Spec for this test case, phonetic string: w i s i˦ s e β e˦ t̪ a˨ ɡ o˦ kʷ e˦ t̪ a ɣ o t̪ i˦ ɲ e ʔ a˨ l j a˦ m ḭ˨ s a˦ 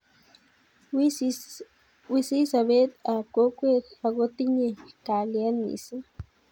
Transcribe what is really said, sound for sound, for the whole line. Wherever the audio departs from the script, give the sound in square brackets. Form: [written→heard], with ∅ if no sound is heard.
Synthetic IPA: w i s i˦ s [e→a] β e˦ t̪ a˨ [ɡ→k] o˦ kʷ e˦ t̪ a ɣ o t̪ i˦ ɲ e [ʔ→k] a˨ l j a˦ [m→n] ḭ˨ s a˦